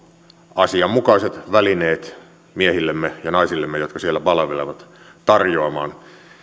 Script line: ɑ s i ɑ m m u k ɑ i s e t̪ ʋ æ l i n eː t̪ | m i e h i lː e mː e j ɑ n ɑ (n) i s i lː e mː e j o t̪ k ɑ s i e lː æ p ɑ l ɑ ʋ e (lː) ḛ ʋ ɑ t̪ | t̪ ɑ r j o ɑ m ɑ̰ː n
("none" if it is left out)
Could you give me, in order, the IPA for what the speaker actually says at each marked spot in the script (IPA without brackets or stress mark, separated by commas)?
none, l